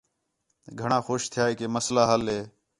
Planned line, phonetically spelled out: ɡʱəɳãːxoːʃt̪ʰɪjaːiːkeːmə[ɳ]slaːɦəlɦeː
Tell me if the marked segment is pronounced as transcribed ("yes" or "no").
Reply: no